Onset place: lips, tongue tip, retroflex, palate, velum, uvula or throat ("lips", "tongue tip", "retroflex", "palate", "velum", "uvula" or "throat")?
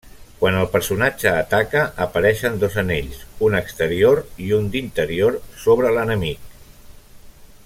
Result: velum